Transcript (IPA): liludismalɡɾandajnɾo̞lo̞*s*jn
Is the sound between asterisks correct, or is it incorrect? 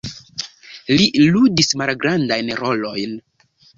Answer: incorrect